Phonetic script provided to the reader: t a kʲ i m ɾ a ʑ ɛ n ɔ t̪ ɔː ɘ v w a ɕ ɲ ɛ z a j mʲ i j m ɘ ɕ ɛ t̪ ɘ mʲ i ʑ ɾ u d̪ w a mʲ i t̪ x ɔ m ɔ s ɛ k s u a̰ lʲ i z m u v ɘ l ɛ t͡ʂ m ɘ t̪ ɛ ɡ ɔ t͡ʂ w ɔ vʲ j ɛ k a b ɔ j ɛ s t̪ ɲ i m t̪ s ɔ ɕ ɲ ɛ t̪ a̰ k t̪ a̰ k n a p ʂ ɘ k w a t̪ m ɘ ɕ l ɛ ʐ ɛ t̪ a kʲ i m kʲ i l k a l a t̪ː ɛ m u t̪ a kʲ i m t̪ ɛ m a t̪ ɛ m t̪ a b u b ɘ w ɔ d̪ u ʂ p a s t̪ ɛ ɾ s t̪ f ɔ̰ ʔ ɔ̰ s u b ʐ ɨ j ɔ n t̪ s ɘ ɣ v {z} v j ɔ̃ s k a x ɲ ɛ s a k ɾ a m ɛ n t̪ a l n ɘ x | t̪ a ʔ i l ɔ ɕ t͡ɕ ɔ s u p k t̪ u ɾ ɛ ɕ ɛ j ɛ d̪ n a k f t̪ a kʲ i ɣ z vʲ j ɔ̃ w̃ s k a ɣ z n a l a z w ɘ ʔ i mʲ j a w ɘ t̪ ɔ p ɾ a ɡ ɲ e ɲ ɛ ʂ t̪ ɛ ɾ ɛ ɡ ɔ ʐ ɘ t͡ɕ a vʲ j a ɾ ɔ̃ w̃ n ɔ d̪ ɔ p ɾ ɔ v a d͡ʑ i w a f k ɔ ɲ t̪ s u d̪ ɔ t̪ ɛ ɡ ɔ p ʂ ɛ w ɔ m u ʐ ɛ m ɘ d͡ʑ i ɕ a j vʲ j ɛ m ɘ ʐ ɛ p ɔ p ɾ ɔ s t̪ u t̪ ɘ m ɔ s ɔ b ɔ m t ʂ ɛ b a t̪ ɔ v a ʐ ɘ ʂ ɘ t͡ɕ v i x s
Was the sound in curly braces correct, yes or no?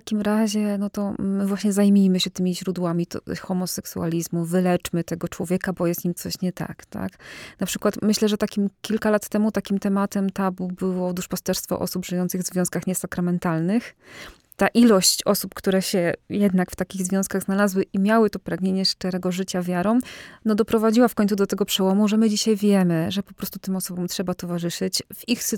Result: yes